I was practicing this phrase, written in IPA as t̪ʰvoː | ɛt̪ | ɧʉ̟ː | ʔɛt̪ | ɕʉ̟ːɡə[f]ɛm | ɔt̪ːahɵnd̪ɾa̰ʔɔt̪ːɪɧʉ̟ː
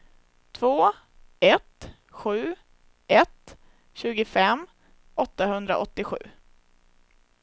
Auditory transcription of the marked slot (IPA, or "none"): f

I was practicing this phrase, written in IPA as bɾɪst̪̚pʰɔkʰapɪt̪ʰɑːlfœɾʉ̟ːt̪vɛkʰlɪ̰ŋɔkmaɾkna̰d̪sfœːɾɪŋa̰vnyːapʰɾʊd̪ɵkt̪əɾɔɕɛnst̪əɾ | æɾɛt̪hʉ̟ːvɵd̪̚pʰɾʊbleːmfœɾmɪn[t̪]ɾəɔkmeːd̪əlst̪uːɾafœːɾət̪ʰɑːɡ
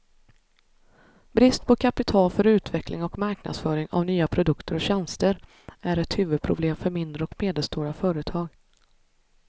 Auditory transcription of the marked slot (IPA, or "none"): d̪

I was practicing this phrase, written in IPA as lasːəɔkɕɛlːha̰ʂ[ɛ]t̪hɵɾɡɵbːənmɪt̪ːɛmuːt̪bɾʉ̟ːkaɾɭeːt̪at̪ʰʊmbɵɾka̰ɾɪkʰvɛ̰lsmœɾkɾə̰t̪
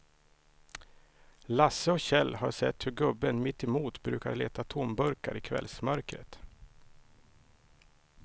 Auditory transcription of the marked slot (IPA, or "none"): ɛ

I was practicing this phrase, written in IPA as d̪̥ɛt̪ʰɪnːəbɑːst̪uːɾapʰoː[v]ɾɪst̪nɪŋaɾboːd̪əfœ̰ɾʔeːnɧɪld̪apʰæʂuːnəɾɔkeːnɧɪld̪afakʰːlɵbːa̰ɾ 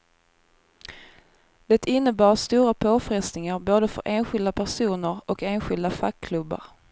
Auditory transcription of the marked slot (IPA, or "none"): f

